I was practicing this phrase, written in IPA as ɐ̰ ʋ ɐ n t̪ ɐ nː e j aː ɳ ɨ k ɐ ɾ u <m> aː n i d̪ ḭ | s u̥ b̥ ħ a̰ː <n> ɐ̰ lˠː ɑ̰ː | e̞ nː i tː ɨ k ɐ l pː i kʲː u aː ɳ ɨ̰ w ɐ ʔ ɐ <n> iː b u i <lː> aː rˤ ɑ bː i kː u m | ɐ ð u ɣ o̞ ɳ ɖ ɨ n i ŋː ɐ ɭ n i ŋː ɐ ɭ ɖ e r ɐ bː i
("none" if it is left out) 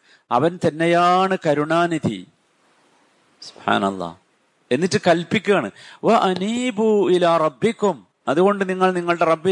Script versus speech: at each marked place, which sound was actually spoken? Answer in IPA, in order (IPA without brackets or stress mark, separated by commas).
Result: ɳ, n, n, l